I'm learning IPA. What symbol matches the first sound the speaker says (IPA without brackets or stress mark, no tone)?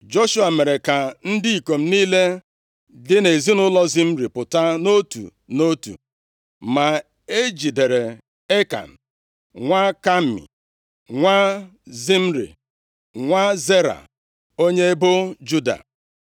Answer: d͡ʒ